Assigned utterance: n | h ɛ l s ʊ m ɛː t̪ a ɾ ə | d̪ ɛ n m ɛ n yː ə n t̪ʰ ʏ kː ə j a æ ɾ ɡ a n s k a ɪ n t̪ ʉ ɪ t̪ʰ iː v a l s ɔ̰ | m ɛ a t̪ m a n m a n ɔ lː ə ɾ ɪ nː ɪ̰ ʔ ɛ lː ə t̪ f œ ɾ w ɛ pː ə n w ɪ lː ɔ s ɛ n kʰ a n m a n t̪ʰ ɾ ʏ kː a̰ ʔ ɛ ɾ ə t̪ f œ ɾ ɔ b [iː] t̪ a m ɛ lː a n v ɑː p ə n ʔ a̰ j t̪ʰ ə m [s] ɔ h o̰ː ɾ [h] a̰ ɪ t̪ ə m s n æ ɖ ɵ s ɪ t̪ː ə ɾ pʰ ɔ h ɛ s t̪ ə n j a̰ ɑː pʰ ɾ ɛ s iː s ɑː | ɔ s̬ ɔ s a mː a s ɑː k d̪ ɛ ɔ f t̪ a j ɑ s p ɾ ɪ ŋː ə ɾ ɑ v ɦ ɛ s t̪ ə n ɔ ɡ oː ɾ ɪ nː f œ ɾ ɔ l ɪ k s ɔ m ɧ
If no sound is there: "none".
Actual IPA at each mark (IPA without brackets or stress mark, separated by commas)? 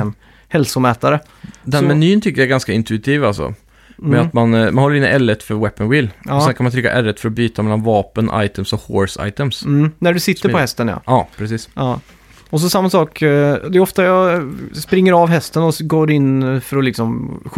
yː, s, s